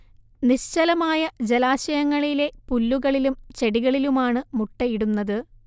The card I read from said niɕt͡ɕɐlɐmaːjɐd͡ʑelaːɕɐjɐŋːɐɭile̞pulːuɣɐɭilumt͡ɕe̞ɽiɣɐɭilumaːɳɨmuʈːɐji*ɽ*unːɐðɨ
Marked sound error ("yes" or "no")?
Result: no